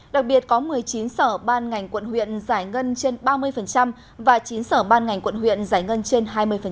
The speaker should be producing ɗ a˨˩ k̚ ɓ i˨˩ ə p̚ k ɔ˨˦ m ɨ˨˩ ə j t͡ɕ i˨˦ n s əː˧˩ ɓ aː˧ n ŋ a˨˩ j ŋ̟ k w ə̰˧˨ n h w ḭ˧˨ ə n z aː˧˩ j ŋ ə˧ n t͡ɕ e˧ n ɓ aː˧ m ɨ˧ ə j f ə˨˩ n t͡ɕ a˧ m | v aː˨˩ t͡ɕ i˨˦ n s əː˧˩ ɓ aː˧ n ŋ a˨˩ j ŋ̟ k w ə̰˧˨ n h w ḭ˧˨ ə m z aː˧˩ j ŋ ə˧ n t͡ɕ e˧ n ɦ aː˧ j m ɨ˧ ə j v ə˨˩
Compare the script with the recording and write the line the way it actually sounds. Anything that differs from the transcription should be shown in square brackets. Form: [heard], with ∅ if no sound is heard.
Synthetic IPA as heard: ɗ a˨˩ k̚ ɓ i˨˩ ə [t̚] k ɔ˨˦ m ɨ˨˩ ə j t͡ɕ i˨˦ n s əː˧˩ ɓ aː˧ n ŋ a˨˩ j ŋ̟ k w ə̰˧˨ n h w ḭ˧˨ ə n z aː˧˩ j ŋ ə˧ n t͡ɕ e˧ n ɓ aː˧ m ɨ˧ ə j f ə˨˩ n t͡ɕ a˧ m | v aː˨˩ t͡ɕ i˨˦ n s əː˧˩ ɓ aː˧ n ŋ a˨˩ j ŋ̟ k w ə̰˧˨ n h w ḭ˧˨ ə [n] z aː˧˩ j ŋ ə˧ n t͡ɕ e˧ n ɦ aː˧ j m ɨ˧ ə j [f] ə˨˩